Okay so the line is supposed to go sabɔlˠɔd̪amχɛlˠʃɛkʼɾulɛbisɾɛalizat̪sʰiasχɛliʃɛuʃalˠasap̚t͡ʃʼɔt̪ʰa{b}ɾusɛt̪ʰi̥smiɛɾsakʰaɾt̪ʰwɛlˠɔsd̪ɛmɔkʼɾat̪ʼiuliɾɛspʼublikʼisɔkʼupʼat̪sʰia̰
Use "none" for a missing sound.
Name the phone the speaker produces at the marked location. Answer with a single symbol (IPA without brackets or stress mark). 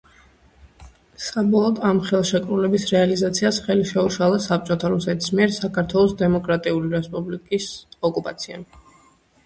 none